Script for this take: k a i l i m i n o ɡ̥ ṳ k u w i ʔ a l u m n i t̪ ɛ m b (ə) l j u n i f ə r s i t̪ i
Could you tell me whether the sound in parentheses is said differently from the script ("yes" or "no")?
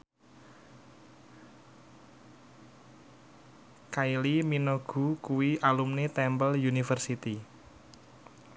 no